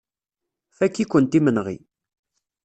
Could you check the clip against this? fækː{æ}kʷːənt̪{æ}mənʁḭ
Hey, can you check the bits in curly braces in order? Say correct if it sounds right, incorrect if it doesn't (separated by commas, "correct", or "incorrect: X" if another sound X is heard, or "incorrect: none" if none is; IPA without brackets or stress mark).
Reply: incorrect: i, incorrect: i